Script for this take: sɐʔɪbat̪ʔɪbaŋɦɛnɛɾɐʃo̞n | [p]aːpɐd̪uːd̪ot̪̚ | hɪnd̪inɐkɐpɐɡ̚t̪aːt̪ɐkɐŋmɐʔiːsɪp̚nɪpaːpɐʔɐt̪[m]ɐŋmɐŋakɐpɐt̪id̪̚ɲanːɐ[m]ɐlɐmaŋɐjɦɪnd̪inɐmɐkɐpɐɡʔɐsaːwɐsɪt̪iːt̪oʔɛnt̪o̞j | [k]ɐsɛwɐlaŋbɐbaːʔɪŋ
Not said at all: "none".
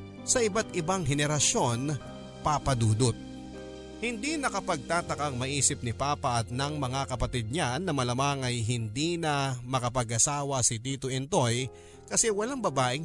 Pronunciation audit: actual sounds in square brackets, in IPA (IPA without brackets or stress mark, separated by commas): p, n, m, k